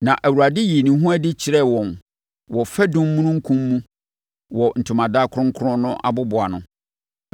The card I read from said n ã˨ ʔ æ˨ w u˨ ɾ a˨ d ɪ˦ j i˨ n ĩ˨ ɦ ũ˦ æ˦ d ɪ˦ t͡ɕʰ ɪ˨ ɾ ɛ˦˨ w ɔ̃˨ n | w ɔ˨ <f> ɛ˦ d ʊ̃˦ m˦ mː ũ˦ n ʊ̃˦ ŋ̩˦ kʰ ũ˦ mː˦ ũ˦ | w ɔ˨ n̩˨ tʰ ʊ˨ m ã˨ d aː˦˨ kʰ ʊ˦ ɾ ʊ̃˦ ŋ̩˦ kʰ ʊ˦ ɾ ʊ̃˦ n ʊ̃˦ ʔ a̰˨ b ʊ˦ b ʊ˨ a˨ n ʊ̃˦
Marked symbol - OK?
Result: yes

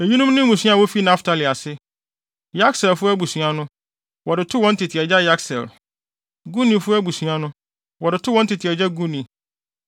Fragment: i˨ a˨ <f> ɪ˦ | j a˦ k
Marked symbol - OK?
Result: no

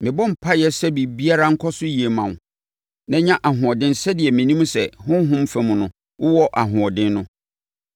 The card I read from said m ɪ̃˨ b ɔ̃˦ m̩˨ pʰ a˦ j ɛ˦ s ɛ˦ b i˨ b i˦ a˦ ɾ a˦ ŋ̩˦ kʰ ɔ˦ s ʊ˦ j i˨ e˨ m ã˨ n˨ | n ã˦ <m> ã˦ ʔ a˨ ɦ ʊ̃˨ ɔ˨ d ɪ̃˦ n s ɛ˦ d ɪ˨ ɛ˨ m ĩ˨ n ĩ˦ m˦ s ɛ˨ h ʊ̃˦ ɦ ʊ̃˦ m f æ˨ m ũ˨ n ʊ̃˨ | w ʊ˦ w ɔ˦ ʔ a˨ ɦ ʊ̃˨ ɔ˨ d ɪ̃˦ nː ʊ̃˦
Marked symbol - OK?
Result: no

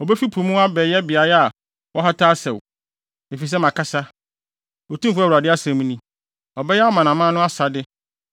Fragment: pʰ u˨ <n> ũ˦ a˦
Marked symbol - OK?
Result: no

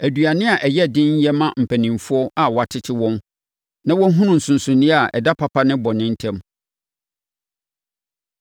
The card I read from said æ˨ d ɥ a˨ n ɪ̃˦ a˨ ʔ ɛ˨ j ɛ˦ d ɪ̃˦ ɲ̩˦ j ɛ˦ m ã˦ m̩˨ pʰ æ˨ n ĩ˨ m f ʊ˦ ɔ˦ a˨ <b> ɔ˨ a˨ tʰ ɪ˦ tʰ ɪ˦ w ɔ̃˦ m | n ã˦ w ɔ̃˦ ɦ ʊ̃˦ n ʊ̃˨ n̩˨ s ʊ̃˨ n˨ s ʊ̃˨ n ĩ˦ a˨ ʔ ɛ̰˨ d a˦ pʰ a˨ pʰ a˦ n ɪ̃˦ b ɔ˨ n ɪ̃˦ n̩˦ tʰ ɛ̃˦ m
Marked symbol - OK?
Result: no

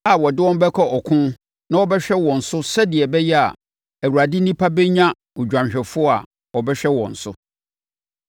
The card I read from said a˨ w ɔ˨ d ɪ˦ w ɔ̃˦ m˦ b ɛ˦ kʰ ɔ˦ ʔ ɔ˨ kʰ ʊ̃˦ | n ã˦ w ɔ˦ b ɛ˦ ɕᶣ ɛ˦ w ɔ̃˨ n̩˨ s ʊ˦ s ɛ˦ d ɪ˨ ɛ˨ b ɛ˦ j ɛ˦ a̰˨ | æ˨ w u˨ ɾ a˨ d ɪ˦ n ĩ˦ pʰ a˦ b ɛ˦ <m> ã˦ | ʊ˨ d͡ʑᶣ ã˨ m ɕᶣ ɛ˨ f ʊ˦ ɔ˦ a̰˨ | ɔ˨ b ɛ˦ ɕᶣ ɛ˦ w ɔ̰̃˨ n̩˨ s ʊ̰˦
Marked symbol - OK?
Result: no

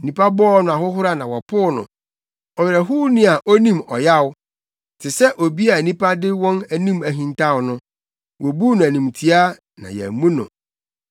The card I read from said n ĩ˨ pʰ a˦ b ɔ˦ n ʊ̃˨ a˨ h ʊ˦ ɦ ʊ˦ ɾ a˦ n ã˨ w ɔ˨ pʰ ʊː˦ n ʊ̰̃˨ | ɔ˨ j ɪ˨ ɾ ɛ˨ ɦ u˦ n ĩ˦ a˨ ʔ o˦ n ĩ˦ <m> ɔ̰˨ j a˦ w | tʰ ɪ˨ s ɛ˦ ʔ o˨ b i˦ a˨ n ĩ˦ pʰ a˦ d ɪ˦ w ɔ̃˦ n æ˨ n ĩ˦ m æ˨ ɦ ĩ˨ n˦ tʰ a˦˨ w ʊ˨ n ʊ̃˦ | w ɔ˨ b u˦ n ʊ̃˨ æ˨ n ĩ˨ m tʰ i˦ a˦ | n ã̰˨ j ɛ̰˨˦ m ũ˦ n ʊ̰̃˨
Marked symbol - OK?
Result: yes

